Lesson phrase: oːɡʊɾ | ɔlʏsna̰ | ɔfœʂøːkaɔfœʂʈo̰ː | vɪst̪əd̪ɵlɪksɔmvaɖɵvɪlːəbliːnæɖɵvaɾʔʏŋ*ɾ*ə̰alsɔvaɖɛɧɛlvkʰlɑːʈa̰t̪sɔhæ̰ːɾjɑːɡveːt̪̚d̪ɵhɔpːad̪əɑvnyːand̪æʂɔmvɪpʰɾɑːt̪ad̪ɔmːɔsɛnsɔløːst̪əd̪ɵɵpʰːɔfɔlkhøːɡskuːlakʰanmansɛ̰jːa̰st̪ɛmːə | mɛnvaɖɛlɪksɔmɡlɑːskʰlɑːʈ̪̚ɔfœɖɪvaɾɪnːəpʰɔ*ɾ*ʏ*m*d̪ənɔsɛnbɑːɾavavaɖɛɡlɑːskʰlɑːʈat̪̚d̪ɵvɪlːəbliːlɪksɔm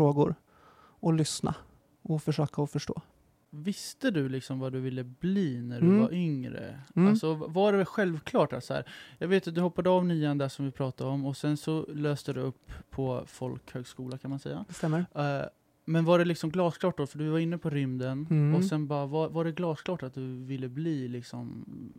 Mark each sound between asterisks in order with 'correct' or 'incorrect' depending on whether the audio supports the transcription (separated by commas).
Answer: correct, correct, correct